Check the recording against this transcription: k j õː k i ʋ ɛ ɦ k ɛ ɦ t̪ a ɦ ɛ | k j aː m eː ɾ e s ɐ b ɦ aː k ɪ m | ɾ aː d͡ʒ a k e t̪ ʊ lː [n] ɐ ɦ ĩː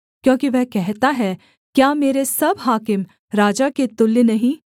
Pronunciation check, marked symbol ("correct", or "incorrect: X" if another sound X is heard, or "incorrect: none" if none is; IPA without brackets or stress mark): correct